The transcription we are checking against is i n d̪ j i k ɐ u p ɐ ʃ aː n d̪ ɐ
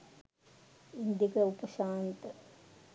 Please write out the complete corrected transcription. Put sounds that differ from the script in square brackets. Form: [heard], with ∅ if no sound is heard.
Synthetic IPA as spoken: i n d̪ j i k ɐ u p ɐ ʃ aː n [t̪] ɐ